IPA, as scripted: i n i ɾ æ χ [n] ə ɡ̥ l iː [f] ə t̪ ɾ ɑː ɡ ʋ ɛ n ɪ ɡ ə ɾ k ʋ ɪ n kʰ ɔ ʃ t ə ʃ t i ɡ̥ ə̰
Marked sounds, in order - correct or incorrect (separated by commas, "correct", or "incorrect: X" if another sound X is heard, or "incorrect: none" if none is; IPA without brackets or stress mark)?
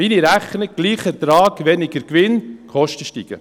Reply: correct, incorrect: χ